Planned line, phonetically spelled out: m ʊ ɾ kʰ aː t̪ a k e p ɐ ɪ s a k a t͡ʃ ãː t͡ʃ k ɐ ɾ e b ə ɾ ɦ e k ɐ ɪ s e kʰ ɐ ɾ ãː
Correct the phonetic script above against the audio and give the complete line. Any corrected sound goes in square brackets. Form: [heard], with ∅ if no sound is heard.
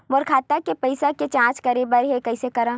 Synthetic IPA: m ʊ ɾ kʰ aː t̪ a k e p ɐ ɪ s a k [e] t͡ʃ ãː t͡ʃ k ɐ ɾ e b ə ɾ ɦ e k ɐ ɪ s e [k] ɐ ɾ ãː